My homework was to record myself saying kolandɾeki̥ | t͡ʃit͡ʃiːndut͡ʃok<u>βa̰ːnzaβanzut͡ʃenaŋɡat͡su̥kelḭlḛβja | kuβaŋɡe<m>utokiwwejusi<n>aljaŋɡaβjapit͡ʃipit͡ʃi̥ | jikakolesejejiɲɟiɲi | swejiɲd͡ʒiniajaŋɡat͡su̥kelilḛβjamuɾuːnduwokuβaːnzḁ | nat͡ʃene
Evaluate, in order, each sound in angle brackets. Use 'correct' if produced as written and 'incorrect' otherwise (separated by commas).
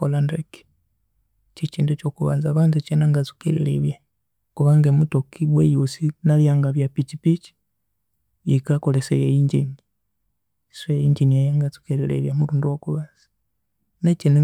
correct, correct, correct